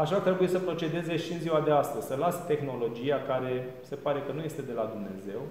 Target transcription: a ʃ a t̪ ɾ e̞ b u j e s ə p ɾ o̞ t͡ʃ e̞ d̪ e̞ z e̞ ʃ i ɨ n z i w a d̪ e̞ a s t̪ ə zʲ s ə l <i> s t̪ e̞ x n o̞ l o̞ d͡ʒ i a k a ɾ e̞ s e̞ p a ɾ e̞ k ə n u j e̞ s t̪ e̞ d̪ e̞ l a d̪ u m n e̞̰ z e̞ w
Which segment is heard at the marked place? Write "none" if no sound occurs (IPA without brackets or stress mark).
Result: a